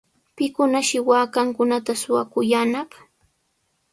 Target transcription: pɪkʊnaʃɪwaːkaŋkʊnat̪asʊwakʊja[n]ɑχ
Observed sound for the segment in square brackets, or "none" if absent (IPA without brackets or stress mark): n